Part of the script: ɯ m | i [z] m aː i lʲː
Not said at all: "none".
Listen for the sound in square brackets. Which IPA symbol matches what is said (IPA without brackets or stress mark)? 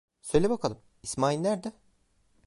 s